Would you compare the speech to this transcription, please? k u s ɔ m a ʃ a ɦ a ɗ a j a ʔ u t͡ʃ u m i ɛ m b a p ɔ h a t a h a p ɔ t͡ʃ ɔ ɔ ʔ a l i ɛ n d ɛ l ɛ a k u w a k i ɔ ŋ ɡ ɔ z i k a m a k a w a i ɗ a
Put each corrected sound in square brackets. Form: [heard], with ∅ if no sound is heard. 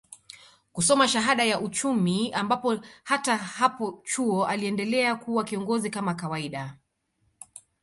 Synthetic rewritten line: k u s ɔ m a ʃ a ɦ a ɗ a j a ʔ u t͡ʃ u m i [a] m b a p ɔ h a t a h a p ɔ t͡ʃ [u] ɔ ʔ a l i ɛ n d ɛ l ɛ a k u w a k i ɔ ŋ ɡ ɔ z i k a m a k a w a i ɗ a